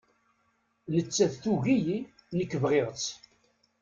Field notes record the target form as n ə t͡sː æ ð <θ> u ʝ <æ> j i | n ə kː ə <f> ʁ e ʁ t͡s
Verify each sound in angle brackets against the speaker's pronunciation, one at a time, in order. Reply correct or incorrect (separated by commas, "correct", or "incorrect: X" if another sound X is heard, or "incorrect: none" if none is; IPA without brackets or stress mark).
correct, incorrect: i, incorrect: v